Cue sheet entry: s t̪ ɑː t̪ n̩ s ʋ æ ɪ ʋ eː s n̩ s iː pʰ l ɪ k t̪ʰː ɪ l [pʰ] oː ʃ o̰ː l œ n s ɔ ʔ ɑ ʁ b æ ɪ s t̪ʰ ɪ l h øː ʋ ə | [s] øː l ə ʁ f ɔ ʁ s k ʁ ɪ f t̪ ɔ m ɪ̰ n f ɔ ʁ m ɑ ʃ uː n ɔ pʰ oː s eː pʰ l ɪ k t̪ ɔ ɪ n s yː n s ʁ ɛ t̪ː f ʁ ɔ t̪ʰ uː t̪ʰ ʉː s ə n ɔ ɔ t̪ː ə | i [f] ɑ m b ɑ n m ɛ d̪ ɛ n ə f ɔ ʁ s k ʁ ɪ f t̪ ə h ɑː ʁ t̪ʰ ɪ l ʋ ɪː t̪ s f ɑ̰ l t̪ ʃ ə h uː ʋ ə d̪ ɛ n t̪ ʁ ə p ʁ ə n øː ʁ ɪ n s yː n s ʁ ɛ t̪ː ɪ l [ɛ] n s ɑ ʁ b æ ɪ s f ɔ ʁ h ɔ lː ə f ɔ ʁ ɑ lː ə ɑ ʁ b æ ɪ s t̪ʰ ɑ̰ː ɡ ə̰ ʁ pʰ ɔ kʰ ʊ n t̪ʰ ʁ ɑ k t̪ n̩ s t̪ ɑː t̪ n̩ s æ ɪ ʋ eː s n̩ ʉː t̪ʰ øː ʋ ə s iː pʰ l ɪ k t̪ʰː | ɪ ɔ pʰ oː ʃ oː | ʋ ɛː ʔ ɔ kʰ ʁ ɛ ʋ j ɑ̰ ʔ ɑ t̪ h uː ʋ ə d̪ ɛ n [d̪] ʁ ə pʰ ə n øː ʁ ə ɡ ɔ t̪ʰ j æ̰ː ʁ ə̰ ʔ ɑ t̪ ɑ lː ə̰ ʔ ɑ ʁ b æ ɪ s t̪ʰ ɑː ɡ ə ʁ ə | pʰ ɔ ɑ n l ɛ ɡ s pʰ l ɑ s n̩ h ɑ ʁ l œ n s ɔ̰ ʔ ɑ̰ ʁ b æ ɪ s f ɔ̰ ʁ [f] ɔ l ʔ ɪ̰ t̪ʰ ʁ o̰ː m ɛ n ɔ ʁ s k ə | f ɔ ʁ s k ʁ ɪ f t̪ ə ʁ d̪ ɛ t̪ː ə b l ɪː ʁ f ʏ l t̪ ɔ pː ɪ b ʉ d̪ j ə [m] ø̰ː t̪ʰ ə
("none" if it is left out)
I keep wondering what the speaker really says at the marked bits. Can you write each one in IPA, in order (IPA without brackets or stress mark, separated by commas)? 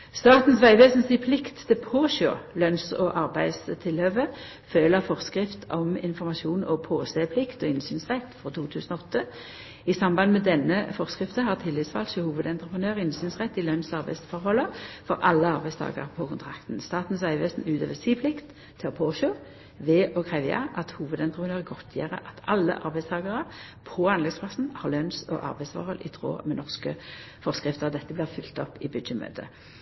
pʰ, f, s, œ, t̪, h, m